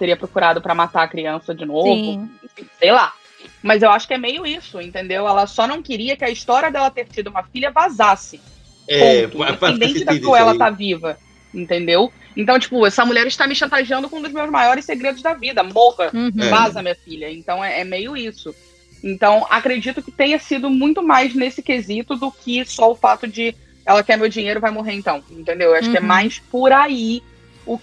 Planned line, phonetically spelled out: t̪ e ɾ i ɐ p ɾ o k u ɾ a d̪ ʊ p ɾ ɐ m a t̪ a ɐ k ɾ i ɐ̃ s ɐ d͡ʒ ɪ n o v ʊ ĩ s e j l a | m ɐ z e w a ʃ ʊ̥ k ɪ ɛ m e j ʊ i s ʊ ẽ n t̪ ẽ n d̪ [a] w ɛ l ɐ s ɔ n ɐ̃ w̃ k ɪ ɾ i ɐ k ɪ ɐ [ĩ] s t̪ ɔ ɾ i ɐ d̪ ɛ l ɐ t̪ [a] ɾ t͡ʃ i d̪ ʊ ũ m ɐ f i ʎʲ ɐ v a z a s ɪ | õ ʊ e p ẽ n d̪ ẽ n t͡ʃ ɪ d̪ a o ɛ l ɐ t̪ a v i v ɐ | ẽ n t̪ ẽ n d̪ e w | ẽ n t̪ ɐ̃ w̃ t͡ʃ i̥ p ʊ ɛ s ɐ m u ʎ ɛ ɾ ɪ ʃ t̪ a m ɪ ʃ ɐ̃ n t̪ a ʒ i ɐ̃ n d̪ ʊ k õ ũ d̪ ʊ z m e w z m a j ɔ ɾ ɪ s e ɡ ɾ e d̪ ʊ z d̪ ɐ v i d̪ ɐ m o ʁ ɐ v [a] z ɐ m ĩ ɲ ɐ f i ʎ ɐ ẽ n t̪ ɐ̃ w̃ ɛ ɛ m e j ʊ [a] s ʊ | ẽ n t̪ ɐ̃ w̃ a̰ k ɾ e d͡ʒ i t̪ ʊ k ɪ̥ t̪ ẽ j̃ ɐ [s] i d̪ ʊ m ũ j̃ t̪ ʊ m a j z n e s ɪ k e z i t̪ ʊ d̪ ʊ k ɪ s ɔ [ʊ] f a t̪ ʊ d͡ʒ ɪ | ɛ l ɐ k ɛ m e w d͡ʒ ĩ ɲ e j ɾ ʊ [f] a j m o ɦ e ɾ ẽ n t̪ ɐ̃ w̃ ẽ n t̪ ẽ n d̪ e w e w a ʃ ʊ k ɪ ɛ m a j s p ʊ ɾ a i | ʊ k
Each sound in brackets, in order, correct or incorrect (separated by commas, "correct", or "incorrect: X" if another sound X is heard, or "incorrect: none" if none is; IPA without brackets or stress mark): incorrect: e, incorrect: i, incorrect: e, correct, incorrect: i, correct, correct, incorrect: v